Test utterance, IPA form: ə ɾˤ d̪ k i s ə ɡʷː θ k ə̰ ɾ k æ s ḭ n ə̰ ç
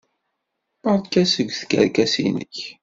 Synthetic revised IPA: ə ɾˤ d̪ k æ s ə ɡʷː θ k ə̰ ɾ k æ s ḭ n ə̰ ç